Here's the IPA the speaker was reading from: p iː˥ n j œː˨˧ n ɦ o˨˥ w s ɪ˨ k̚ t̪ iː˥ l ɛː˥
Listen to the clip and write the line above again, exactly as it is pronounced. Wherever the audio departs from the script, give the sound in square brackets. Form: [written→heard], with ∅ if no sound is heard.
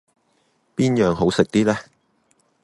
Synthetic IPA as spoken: p iː˥ n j œː˨˧ [n→ŋ] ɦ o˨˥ w s ɪ˨ k̚ t̪ iː˥ l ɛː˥